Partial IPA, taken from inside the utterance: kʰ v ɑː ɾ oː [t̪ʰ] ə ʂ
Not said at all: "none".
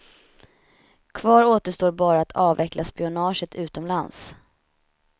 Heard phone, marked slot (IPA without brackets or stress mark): t̪